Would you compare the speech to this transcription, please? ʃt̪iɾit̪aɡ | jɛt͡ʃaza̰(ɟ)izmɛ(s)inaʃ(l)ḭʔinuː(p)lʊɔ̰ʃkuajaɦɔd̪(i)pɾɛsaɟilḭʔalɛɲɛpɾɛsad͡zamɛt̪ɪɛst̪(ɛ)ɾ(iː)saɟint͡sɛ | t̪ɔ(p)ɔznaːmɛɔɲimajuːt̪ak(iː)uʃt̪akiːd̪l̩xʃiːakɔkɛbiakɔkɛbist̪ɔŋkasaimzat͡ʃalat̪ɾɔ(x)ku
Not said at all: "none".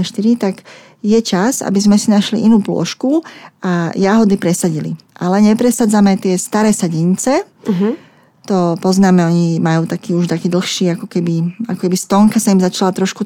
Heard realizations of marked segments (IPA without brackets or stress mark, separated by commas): b, s, l, p, i, a, ɛː, p, iː, ʃ